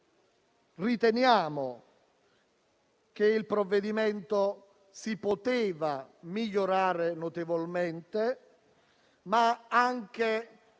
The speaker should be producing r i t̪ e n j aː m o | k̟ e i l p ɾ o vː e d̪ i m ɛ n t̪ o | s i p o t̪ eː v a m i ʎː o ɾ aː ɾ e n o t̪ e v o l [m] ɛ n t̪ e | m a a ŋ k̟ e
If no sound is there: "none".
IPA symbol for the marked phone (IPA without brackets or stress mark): m